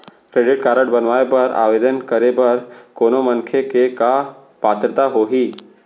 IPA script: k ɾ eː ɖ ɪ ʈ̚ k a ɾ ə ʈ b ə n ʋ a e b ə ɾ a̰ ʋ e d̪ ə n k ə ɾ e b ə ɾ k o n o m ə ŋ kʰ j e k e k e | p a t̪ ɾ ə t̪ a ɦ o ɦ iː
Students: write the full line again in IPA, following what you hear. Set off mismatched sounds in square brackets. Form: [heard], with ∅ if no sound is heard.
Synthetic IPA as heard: k ɾ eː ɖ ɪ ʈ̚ k a ɾ ə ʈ b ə n ʋ a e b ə ɾ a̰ ʋ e d̪ ə n k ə ɾ e b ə ɾ k o n o m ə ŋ kʰ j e k e k [a] | p a t̪ ɾ ə t̪ a ɦ o ɦ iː